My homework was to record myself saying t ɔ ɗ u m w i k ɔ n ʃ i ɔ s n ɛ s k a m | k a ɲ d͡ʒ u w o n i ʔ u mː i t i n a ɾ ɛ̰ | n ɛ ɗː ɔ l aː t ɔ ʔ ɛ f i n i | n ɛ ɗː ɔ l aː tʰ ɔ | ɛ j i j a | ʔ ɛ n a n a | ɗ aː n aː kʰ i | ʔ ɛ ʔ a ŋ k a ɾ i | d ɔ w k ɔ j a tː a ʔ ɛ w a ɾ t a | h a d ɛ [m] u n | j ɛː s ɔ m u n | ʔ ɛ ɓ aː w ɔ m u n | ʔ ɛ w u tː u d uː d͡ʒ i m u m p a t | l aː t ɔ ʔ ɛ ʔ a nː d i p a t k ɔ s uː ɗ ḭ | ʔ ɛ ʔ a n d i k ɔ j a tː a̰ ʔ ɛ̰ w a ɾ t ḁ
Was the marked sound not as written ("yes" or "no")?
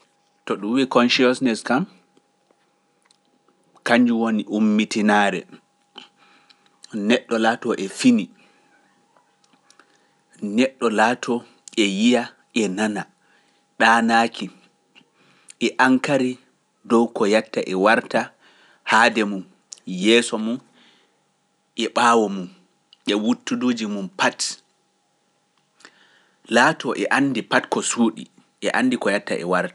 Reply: no